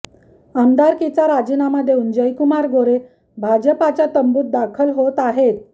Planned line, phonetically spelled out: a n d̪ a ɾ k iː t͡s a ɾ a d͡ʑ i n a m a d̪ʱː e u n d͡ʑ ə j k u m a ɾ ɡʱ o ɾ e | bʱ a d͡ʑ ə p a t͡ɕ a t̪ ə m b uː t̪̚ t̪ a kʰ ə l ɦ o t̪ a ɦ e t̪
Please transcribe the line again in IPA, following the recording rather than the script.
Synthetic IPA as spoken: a m d̪ a ɾ k i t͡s a ɾ a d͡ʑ i n a m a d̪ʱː e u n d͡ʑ ə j k u m a ɾ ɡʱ o ɾ e | bʱ a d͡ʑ ə p a t͡ɕ a t̪ ə m b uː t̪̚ d̪ a kʰ ə l ɦ o t̪ a ɦ e t̪